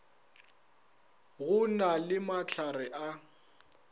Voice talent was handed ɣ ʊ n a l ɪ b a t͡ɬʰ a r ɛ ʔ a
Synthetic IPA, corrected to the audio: ɣ ʊ n a l ɪ m a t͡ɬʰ a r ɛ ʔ a